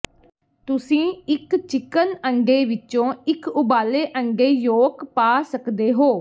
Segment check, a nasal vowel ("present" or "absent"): present